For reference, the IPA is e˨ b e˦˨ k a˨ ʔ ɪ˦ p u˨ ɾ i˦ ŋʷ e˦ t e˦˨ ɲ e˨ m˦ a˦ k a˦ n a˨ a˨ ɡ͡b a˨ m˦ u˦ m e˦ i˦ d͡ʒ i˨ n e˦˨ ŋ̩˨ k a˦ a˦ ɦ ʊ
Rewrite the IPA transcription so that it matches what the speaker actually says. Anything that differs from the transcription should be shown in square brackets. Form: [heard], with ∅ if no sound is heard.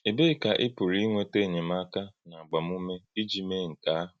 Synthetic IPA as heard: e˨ b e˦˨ k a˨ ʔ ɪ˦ p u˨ ɾ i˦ ŋʷ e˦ t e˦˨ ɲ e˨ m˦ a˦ k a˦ n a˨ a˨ ɡ͡b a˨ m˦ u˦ m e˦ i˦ d͡ʒ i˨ [m] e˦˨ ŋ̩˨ k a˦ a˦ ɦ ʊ

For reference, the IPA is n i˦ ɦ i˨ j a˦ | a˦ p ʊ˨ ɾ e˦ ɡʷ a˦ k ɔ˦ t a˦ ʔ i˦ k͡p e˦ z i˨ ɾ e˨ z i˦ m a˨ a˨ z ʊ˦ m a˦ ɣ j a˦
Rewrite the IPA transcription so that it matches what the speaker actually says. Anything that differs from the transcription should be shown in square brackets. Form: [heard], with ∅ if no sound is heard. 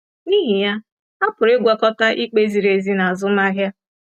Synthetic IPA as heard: n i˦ ɦ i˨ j a˦ | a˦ p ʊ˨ ɾ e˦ ɡʷ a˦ k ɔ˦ t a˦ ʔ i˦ k͡p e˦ z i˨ ɾ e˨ z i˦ [n] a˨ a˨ z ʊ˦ m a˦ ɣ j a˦

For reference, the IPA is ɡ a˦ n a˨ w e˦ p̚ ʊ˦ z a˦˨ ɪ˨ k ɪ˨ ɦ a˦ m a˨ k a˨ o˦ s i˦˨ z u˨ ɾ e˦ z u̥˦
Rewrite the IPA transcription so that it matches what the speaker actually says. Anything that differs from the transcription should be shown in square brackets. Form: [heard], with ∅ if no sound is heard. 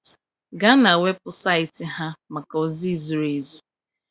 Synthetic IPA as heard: ɡ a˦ n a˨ w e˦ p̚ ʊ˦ [s] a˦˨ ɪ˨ [t] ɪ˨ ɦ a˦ m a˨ k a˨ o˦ [z] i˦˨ z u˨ ɾ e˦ z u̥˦

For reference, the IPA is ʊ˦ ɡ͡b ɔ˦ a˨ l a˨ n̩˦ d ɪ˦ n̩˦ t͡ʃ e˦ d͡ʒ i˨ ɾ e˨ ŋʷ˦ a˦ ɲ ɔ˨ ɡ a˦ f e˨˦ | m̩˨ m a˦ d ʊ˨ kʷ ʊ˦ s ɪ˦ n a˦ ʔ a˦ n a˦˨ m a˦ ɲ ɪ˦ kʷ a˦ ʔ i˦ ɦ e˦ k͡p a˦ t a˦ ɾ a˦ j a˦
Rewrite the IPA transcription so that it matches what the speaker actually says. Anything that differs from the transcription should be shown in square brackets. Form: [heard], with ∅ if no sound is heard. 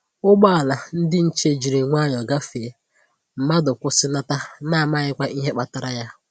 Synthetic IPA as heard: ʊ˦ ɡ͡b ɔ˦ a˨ l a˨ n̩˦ d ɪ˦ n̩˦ t͡ʃ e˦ d͡ʒ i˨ ɾ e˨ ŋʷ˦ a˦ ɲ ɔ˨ ɡ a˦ f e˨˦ | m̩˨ m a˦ d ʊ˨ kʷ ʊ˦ s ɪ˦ n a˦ [t] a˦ n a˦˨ m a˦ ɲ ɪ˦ kʷ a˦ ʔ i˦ ɦ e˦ k͡p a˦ t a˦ ɾ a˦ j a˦

